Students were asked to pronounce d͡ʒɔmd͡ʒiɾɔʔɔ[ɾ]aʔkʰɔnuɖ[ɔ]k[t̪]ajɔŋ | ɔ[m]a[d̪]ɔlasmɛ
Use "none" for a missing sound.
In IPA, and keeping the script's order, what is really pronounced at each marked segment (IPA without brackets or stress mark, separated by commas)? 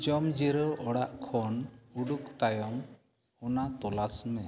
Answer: ɽ, u, t̪, n, t̪